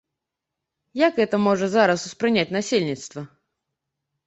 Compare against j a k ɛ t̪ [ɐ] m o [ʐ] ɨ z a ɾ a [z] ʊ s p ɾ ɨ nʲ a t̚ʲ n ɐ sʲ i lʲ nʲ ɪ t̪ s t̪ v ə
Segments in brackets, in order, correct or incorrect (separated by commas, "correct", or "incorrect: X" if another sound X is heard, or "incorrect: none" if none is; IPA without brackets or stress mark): incorrect: ə, correct, incorrect: s